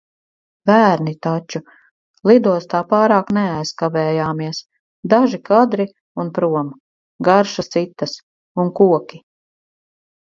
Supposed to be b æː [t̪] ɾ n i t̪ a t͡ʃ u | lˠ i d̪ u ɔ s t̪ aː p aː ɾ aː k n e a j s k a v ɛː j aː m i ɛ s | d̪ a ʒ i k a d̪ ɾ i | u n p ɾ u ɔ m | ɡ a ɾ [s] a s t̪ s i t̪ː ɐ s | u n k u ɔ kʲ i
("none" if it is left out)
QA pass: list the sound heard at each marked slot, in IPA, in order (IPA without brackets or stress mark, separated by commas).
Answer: none, ʃ